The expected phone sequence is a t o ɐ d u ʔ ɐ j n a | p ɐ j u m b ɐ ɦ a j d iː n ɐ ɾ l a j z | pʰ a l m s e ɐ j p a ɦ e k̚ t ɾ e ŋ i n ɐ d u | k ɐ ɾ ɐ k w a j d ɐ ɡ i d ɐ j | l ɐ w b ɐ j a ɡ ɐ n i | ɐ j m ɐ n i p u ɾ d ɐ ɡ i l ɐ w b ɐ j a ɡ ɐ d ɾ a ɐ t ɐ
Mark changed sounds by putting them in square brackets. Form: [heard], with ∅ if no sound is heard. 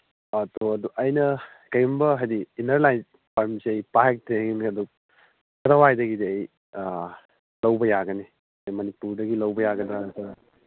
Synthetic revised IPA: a t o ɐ d u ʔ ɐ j n [ɐ] | [k] ɐ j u m b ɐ ɦ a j d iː n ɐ ɾ l a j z | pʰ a [ɾ] m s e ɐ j p a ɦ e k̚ t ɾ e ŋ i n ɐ d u | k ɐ ɾ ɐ [∅] w a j d ɐ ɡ i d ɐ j | l ɐ w b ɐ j a ɡ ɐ n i | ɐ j m ɐ n i p u ɾ d ɐ ɡ i l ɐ w b ɐ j a ɡ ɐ d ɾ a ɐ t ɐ